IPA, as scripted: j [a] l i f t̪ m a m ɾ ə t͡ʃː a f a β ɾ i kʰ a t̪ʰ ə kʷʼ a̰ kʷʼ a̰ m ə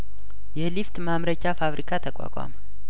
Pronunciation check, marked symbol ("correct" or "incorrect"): incorrect